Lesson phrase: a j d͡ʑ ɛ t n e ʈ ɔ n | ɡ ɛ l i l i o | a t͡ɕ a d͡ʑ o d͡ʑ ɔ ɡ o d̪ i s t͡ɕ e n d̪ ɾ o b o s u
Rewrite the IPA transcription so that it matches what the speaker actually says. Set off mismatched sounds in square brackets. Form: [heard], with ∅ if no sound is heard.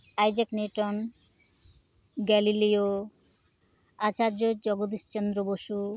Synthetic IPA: a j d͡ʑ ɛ [k] n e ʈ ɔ n | ɡ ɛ l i l i o | a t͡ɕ a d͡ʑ o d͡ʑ ɔ ɡ o d̪ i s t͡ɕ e n d̪ ɾ o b o [ʃ] u